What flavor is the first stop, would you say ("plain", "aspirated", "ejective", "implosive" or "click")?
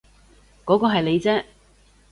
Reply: plain